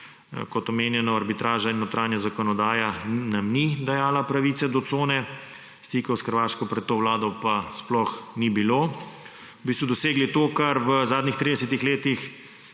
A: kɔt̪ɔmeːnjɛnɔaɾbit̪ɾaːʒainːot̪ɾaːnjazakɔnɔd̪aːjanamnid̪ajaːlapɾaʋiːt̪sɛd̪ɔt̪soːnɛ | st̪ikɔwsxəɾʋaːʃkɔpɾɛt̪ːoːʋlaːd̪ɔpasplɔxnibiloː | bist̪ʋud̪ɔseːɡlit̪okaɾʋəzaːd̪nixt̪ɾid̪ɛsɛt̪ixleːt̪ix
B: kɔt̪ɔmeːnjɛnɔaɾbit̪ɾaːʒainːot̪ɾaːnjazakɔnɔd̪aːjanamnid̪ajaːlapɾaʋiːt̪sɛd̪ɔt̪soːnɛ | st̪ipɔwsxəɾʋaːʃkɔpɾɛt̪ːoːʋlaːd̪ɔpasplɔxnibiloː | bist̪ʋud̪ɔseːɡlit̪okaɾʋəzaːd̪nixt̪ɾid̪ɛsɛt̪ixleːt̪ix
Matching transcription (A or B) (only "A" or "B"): A